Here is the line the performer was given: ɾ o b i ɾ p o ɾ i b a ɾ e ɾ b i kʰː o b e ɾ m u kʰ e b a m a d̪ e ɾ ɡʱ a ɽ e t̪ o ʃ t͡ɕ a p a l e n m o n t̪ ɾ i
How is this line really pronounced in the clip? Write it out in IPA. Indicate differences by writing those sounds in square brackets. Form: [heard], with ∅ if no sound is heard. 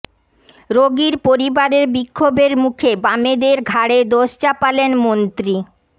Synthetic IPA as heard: ɾ o [ɡ] i ɾ p o ɾ i b a ɾ e ɾ b i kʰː o b e ɾ m u kʰ e b a m [e] d̪ e ɾ ɡʱ a ɽ e [d̪] o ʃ t͡ɕ a p a l e n m o n t̪ ɾ i